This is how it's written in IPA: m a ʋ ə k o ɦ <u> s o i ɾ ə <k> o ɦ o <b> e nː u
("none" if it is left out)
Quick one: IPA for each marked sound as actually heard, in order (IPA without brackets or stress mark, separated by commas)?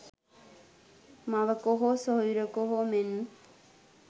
o, k, m